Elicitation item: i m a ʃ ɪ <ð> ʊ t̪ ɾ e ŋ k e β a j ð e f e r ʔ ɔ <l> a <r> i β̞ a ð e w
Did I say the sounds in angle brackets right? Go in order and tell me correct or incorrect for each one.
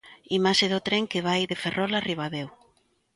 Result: correct, correct, correct

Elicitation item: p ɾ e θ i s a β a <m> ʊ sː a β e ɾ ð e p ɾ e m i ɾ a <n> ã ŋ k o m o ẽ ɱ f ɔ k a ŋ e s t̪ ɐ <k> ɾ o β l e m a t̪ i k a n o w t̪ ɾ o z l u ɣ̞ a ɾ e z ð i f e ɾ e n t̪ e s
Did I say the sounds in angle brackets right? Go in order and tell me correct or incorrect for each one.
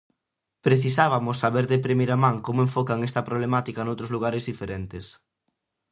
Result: correct, incorrect: m, incorrect: p

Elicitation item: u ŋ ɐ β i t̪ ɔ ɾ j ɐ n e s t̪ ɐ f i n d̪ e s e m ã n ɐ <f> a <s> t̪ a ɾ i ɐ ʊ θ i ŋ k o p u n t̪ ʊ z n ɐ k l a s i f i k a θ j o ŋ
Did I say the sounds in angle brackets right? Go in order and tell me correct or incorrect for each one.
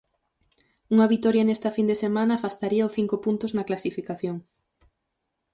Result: correct, correct

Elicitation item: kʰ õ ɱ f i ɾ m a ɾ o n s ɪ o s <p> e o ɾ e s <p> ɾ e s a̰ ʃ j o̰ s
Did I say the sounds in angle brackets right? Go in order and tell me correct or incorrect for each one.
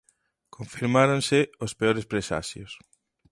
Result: correct, correct

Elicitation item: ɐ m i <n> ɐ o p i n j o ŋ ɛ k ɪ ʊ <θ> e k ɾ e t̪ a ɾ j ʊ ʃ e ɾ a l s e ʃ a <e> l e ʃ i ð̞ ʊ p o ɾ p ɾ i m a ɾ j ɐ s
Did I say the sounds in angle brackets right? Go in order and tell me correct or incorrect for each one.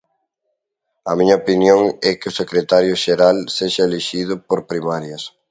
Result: incorrect: ɲ, incorrect: s, correct

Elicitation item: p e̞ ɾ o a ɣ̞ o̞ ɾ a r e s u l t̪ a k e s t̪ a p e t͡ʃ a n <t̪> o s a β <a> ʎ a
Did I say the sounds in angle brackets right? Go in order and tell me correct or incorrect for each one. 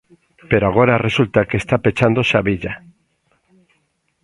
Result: incorrect: d̪, incorrect: i

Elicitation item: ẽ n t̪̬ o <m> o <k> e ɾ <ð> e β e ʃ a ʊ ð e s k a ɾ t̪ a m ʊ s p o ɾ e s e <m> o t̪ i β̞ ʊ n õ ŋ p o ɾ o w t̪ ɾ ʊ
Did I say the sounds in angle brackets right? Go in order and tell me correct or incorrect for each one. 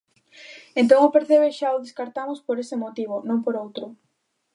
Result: incorrect: ŋ, incorrect: p, incorrect: θ, correct

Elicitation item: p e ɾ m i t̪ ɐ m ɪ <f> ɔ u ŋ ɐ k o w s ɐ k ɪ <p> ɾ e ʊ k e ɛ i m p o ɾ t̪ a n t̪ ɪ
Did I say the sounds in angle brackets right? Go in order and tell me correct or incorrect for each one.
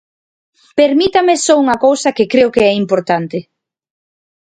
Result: incorrect: s, incorrect: k

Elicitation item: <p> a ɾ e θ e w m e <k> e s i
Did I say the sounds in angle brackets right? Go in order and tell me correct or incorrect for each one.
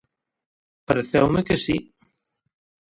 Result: correct, correct

